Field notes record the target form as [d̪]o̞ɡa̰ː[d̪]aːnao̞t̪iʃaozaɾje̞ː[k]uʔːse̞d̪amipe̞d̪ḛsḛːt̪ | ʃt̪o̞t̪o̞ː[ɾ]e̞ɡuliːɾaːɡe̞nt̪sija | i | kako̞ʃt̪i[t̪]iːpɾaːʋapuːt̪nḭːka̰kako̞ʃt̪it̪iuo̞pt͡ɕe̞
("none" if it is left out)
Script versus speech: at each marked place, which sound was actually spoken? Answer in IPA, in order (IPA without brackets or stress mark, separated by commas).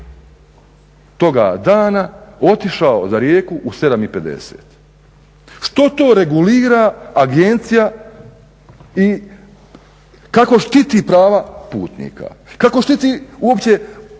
t̪, d̪, k, ɾ, t̪